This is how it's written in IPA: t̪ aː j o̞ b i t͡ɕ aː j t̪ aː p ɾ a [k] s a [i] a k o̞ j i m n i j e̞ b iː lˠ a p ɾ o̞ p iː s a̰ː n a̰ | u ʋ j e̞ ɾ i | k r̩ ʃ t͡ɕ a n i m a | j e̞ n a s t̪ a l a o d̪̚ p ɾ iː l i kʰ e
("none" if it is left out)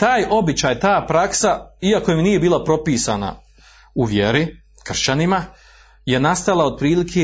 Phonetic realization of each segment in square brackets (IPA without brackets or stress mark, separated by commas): k, i